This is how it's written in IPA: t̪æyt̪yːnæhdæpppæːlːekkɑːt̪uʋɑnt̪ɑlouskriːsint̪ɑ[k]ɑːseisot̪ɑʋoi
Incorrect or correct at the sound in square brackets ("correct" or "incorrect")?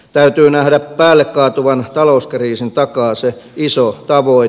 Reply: correct